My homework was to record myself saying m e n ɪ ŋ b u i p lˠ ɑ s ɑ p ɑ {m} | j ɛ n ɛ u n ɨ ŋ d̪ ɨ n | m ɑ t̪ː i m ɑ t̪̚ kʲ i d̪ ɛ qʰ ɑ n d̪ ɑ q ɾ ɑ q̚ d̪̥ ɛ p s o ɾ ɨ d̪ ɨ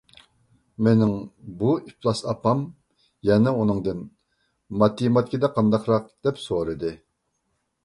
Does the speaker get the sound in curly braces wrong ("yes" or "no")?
no